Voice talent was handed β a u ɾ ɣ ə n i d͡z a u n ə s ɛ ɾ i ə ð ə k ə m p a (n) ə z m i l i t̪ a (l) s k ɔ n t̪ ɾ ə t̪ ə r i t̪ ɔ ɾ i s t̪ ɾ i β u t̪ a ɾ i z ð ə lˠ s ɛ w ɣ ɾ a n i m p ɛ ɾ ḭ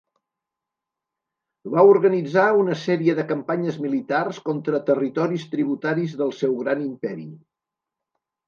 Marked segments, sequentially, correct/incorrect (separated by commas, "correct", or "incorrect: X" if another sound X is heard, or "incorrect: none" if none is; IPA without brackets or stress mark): incorrect: ɲ, incorrect: r